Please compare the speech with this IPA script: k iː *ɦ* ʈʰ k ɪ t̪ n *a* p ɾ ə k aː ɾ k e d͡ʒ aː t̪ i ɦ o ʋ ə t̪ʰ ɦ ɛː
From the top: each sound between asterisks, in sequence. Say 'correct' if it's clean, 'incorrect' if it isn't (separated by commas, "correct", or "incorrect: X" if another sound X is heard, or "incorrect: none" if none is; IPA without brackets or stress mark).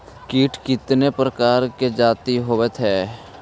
incorrect: none, incorrect: e